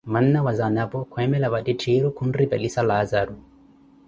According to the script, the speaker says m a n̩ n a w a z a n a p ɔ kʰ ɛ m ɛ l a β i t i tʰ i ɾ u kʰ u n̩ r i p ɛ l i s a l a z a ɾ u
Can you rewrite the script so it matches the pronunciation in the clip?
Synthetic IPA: m a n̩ n a w a z a n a p ɔ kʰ ɛ m ɛ l a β a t i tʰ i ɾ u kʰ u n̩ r i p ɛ l i s a l a z a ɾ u